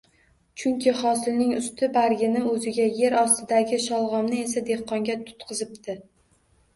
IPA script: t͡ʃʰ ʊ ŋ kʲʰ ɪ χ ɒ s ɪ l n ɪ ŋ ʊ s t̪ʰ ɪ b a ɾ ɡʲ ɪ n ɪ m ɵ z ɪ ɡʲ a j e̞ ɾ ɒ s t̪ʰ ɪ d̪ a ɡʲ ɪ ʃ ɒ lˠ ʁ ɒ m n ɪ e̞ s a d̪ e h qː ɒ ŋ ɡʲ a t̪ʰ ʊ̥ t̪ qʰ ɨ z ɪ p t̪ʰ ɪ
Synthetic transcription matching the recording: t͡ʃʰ ʊ ŋ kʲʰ ɪ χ ɒ s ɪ l n ɪ ŋ ʊ s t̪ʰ ɪ b a ɾ ɡʲ ɪ n ɪ m ɵ z ɪ ɡʲ a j e̞ ɾ ɒ s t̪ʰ ɪ d̪ a ɡʲ ɪ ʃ ɒ lˠ ʁ ɒ m n ɪ e̞ s a d̪ e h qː ɒ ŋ ɡʲ a t̪ʰ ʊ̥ t̪ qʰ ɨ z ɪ p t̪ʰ ɪ